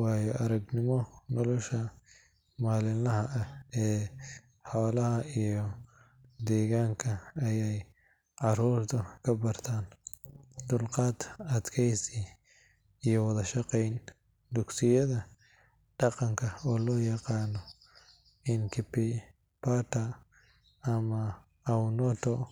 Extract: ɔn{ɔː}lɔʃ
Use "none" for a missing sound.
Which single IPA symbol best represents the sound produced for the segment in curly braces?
ɔ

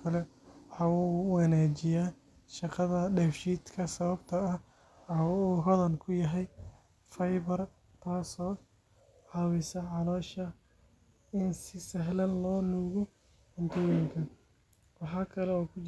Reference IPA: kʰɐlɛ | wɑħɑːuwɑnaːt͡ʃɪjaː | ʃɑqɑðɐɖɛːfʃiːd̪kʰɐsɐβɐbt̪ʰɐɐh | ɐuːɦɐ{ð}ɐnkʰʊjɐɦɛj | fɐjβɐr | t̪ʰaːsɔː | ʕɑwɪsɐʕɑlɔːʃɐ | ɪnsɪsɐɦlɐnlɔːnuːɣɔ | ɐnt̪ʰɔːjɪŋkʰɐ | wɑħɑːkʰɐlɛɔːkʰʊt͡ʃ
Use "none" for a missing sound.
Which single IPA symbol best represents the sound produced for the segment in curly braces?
ð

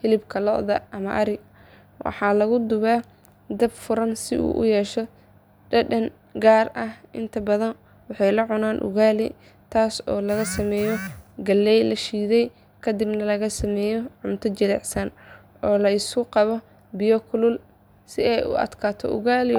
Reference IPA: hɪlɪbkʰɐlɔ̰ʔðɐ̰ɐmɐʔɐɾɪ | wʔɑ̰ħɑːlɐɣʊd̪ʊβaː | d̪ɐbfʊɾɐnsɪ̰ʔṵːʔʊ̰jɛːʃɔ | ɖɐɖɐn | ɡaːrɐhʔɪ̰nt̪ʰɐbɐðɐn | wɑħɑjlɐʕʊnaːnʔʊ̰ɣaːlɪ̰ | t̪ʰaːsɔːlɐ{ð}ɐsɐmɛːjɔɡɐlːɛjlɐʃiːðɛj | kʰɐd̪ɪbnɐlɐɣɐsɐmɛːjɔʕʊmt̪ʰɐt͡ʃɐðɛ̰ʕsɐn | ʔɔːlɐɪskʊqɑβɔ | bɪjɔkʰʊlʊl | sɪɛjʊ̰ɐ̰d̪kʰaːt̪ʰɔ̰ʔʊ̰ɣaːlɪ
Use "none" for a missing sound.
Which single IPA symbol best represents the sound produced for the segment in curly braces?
ɣ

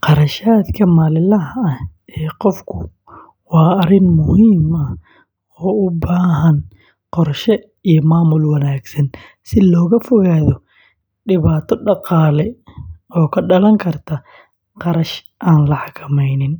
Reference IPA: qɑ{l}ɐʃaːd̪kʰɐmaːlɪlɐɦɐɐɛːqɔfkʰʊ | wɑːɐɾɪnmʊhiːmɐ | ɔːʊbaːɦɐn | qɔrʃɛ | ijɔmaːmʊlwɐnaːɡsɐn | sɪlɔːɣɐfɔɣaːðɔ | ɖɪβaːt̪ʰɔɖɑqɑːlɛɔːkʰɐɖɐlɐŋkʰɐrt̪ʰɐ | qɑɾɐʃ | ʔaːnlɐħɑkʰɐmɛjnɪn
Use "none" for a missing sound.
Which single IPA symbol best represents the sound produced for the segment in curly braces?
ɾ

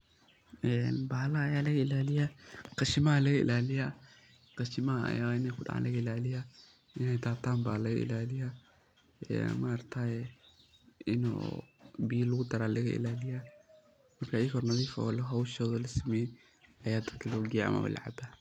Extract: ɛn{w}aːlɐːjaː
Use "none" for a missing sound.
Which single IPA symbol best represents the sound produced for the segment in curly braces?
b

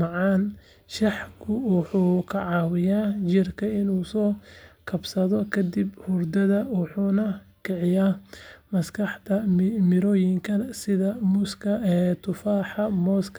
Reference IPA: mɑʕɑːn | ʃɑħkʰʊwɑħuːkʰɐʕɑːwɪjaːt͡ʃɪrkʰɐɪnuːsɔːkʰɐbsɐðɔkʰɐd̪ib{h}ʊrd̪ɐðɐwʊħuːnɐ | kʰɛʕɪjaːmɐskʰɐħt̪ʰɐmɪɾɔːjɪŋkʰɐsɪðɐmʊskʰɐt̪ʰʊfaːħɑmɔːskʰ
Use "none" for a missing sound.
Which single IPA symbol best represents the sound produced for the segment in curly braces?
h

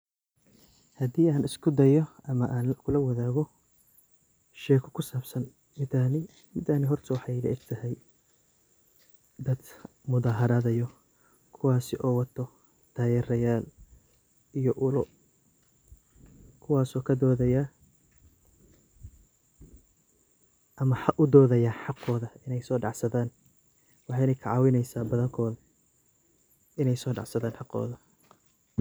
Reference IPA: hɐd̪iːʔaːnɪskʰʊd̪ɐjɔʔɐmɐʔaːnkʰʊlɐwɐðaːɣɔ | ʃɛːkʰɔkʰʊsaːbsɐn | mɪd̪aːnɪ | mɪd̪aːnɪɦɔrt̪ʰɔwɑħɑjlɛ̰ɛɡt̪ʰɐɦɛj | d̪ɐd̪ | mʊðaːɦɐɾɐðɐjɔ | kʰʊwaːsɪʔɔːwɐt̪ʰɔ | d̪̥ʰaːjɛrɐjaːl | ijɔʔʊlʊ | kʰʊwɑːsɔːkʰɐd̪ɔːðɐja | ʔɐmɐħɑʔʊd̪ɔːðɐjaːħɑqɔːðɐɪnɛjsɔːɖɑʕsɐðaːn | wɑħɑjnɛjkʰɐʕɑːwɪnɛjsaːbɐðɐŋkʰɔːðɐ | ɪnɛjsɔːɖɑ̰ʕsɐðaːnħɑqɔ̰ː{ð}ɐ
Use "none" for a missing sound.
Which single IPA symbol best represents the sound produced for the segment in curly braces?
ð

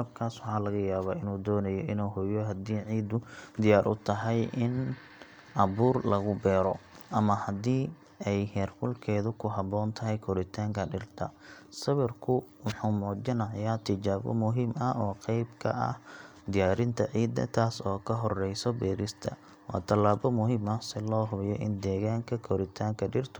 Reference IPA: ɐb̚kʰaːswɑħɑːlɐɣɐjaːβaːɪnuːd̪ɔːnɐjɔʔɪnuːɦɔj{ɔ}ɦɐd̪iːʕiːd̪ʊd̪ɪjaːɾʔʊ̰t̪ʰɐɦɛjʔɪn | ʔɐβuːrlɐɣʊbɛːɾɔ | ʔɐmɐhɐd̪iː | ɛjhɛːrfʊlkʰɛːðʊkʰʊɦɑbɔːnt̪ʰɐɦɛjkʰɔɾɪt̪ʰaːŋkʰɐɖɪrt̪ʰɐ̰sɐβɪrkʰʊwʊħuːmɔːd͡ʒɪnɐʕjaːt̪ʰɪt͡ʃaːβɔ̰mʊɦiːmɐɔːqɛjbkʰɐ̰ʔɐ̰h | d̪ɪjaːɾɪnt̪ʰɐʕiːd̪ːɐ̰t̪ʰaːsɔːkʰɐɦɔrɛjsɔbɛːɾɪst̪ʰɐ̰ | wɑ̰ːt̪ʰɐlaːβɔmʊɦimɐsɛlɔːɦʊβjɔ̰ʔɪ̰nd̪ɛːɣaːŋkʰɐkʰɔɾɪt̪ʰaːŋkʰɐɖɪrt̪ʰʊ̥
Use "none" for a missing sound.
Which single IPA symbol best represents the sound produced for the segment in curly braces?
ɔ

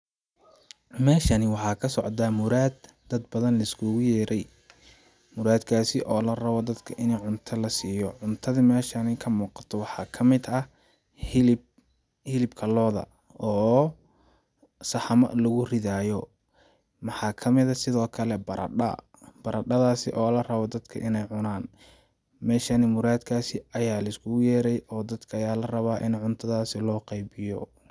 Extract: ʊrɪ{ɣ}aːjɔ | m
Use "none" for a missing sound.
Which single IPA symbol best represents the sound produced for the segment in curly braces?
ð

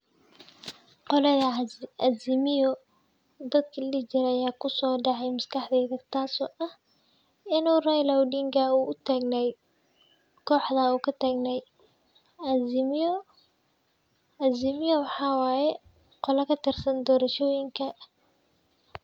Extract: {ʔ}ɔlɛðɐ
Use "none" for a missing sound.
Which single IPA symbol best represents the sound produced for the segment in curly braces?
q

